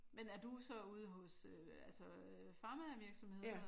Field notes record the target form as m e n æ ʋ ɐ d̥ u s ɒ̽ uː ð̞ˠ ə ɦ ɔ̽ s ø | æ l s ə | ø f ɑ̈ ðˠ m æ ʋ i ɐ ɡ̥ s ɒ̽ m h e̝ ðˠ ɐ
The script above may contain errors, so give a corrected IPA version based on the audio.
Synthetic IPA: m e n æ ɐ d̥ u s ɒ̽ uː ð̞ˠ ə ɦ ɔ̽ s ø | æ l s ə | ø f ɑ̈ m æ ʋ i ɐ ɡ̥ s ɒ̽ m h e̝ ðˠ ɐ